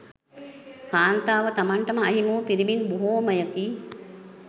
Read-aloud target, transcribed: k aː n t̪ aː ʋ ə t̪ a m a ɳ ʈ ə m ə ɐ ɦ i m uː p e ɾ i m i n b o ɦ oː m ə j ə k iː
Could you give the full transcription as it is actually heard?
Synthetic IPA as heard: k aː n t̪ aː ʋ ə t̪ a m a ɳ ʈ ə m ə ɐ ɦ i m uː p i ɾ i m i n b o ɦ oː m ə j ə k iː